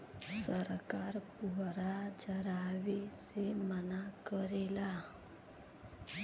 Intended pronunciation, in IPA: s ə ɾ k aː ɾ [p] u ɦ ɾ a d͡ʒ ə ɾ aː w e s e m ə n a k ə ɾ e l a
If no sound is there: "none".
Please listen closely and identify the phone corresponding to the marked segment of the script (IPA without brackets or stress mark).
p